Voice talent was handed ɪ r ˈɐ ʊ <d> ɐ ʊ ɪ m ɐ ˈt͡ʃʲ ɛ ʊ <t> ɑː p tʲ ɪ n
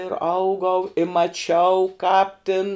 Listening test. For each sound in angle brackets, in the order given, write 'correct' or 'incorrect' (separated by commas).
incorrect, incorrect